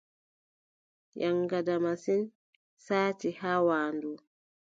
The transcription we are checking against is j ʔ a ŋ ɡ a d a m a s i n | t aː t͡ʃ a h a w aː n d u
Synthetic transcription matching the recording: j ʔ a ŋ ɡ a d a m a s i n | s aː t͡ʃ i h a w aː n d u